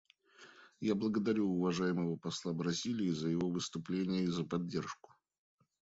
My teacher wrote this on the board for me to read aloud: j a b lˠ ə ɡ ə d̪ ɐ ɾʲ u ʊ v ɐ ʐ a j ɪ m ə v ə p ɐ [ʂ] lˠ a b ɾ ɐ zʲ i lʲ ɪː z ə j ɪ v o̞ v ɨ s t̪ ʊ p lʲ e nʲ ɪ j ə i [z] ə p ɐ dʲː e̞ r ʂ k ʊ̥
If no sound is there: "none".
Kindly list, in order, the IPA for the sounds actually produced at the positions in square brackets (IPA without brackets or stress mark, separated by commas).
s, z